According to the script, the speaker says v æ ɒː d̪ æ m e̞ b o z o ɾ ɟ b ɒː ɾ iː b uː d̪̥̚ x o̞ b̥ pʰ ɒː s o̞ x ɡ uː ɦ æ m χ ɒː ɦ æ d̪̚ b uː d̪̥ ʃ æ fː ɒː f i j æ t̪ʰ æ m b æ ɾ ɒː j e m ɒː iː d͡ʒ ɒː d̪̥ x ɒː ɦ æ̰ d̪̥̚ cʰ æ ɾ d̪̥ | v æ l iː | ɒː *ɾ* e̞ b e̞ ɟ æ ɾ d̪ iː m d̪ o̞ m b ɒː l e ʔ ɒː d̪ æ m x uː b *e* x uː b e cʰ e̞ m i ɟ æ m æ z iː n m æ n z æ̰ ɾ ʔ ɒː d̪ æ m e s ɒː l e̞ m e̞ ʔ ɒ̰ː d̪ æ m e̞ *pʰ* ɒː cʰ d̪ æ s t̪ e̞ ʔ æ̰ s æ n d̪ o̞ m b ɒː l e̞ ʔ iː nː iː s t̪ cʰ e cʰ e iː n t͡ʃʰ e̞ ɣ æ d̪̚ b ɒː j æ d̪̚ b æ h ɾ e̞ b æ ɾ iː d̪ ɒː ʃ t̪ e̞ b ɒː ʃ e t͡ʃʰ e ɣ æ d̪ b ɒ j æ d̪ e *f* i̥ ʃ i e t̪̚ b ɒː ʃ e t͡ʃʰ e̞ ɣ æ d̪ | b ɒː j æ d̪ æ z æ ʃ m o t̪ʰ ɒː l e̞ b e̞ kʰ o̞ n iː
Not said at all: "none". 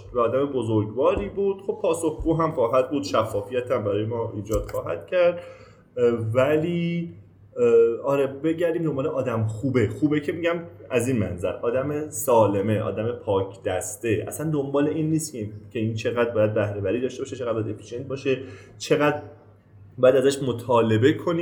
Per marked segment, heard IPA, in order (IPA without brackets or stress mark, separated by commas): ɾ, e, pʰ, f